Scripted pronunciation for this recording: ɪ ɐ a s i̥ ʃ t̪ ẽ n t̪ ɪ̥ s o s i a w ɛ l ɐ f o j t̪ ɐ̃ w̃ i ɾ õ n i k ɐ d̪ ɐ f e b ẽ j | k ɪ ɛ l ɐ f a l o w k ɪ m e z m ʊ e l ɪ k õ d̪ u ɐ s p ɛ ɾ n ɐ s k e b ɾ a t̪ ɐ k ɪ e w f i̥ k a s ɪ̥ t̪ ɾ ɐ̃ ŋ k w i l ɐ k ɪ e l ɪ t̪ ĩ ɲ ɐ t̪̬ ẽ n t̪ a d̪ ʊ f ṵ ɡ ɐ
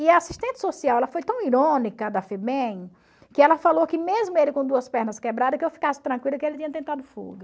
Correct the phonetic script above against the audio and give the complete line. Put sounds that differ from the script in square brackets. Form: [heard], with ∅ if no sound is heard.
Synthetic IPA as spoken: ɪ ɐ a s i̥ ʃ t̪ ẽ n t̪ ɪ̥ s o s i a w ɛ l ɐ f o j t̪ ɐ̃ w̃ i ɾ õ n i k ɐ d̪ ɐ f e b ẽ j | k ɪ ɛ l ɐ f a l o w k ɪ m e z m ʊ e l ɪ k õ d̪ u ɐ s p ɛ ɾ n ɐ s k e b ɾ a [d̪] ɐ k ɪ e w f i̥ k a s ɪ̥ t̪ ɾ ɐ̃ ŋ k w i l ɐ k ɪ e l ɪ t̪ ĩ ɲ ɐ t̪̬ ẽ n t̪ a d̪ ʊ f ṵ ɡ ɐ